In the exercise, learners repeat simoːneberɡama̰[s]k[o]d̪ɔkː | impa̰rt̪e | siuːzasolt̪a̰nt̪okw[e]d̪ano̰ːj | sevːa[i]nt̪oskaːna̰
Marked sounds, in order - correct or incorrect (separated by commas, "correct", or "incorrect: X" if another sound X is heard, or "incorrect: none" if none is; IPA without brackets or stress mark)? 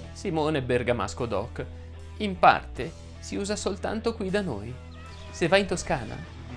correct, correct, incorrect: i, correct